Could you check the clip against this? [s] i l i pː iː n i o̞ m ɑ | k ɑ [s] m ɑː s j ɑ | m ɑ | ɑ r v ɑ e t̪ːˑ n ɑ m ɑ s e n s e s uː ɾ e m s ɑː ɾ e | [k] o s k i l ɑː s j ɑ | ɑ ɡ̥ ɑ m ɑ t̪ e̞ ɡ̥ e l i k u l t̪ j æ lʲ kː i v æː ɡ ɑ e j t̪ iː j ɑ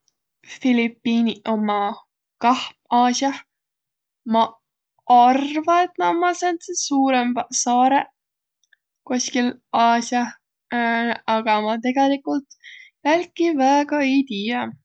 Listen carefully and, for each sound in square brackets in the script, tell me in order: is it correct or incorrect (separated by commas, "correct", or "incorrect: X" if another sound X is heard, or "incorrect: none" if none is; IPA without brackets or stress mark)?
incorrect: f, incorrect: h, correct